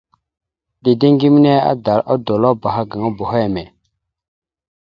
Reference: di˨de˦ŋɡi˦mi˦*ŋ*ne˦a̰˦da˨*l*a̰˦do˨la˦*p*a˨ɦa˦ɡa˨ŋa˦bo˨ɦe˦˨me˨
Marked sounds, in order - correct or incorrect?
incorrect: none, incorrect: ɾ, incorrect: b

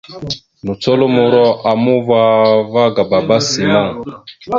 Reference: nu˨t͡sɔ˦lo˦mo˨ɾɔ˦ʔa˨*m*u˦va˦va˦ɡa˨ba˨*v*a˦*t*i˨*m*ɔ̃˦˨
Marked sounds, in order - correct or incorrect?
correct, incorrect: b, incorrect: s, correct

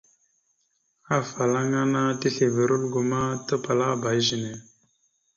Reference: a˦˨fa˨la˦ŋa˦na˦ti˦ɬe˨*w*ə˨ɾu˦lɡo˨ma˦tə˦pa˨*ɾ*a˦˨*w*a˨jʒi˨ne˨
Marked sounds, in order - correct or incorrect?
incorrect: v, incorrect: l, incorrect: b

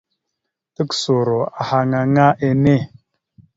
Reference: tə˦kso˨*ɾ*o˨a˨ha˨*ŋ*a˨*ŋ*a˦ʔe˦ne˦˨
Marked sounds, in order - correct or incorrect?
correct, correct, correct

